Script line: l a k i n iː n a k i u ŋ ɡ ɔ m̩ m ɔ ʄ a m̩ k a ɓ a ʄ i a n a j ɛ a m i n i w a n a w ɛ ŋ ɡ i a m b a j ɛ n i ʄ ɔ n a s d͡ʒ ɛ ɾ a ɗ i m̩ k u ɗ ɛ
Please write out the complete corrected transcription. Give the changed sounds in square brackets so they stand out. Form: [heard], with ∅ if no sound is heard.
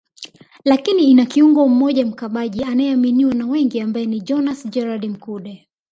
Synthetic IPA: l a k i n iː n a k i u ŋ ɡ ɔ m̩ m ɔ ʄ a m̩ k a ɓ a ʄ i a n a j ɛ a m i n i w a n a w ɛ ŋ ɡ i a m b a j ɛ n i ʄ ɔ n a s d͡ʒ ɛ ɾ a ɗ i m̩ k u ɗ ɛ